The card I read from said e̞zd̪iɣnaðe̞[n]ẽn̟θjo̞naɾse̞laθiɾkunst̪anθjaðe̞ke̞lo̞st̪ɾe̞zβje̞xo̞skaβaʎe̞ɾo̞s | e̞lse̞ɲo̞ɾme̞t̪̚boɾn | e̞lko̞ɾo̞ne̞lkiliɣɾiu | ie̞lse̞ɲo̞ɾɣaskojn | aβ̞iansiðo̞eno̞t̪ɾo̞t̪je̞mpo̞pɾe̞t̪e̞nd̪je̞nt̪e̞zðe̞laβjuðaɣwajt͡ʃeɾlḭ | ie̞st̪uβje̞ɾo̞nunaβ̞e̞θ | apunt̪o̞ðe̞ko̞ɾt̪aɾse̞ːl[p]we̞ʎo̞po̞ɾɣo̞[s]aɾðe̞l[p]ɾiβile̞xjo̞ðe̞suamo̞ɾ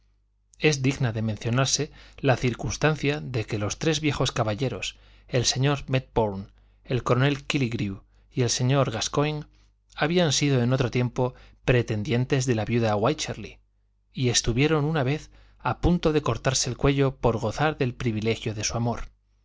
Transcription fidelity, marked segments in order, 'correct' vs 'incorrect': incorrect: m, incorrect: k, incorrect: θ, correct

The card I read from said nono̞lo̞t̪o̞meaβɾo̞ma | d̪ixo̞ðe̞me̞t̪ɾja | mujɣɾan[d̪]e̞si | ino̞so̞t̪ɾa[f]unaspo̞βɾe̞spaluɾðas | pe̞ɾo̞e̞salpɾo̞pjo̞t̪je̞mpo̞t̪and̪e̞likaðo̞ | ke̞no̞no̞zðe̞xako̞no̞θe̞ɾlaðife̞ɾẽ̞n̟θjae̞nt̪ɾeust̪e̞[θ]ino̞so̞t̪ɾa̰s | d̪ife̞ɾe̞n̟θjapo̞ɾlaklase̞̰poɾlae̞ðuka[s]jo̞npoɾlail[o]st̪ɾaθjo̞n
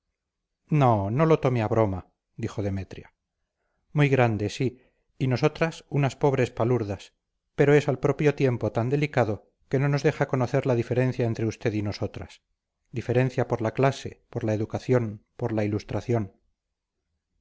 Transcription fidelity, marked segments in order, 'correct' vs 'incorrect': correct, incorrect: s, incorrect: ð, incorrect: θ, incorrect: u

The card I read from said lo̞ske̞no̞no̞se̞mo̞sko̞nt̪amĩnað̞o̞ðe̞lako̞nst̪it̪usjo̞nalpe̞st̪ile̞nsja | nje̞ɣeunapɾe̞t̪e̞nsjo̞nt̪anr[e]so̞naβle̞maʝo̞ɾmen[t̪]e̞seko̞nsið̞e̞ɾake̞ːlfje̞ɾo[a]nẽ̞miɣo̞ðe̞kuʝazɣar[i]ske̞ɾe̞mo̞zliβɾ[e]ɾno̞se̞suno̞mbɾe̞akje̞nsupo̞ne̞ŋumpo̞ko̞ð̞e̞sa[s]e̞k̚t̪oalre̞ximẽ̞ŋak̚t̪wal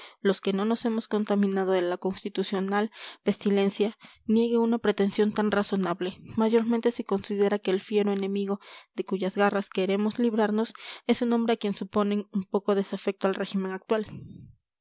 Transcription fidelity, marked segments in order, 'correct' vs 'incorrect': incorrect: a, correct, incorrect: e, incorrect: a, incorrect: a, incorrect: f

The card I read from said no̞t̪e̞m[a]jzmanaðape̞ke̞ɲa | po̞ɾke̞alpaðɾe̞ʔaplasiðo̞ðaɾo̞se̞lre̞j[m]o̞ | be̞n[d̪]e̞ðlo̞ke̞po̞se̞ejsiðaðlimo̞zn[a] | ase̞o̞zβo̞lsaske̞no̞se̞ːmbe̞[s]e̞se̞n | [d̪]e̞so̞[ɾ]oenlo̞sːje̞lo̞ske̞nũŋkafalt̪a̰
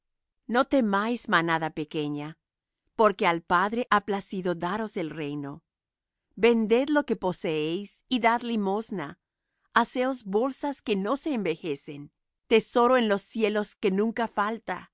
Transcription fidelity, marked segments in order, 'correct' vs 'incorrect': correct, incorrect: n, correct, correct, incorrect: x, incorrect: t̪, correct

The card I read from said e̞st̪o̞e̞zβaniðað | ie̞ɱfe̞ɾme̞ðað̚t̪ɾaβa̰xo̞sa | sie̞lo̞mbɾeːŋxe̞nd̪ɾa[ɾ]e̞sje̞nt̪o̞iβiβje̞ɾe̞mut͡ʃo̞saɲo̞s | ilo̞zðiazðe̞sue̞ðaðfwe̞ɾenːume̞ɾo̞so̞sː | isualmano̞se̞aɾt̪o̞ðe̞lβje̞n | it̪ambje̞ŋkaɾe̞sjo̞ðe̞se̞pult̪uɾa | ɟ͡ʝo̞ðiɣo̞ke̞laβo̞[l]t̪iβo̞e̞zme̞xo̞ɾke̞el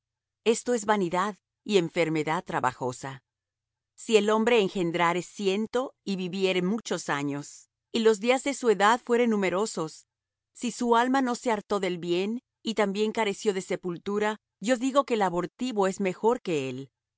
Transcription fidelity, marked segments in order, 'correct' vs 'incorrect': correct, incorrect: ɾ

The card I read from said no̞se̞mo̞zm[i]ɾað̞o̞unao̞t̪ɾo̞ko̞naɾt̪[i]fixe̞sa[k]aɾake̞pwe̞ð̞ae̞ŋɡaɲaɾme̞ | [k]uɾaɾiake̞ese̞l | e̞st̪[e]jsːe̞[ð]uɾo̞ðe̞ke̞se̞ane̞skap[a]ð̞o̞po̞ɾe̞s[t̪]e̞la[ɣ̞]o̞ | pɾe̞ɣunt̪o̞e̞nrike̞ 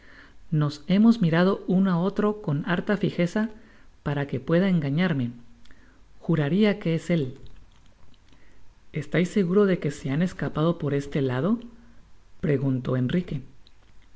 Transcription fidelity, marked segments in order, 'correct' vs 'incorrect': correct, incorrect: a, incorrect: p, incorrect: x, incorrect: a, incorrect: ɣ, correct, correct, incorrect: ð̞

